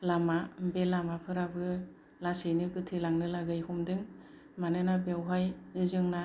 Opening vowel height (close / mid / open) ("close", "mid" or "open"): open